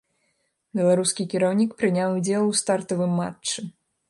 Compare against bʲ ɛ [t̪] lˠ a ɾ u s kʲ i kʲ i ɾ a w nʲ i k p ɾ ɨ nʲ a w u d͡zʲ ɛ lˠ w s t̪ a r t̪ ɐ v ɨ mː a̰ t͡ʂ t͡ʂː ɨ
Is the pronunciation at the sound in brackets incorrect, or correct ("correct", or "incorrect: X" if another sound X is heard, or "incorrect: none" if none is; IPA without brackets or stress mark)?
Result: incorrect: none